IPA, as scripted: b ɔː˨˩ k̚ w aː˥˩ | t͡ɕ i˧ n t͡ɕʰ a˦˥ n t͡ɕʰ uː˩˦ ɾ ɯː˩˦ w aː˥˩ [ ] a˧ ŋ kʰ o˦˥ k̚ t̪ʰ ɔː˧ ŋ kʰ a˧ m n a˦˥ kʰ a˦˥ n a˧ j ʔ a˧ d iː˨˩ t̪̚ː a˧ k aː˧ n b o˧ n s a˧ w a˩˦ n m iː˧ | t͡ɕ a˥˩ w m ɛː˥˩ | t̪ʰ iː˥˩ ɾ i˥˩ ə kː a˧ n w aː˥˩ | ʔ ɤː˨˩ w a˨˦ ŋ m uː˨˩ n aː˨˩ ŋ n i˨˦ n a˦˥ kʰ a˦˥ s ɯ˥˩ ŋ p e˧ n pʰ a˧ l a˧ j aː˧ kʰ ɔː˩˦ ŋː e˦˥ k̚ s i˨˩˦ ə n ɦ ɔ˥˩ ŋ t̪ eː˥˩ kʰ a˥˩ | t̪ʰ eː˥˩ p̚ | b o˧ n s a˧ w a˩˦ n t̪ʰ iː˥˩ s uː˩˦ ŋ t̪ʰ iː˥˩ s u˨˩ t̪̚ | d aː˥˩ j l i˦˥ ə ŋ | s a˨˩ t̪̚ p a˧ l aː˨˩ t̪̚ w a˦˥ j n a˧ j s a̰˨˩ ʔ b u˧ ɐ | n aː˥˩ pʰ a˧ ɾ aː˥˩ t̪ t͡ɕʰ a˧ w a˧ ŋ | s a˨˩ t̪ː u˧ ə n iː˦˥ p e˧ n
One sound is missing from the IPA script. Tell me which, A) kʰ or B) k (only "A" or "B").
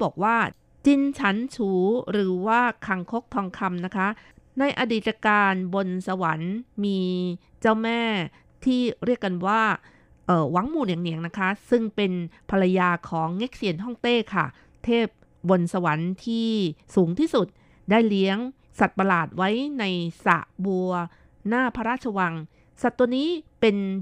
A